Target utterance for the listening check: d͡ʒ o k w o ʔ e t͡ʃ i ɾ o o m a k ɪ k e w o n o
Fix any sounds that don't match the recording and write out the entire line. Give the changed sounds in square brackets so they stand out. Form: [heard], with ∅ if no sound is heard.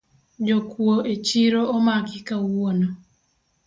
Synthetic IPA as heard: d͡ʒ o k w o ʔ e t͡ʃ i ɾ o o m a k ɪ k [a] w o n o